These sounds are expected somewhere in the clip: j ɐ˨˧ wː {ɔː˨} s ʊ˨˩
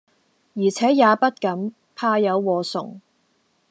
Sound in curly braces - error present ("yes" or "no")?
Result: no